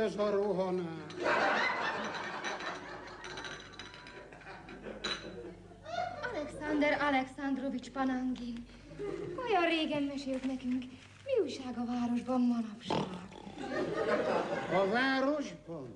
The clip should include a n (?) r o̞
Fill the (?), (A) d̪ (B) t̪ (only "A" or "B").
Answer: A